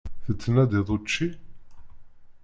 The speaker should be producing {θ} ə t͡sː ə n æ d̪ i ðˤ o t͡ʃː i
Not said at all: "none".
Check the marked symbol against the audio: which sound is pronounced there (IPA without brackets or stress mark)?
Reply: θ